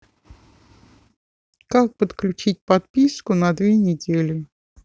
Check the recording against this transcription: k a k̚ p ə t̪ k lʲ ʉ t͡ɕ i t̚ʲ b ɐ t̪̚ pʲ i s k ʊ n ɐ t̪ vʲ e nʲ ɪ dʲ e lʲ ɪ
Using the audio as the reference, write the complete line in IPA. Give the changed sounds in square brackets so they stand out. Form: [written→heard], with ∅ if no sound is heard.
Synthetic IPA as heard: k a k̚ p ə t̪ k lʲ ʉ t͡ɕ i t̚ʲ [b→p] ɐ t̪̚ pʲ i s k ʊ n ɐ [t̪→d̪] vʲ e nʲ ɪ dʲ e lʲ ɪ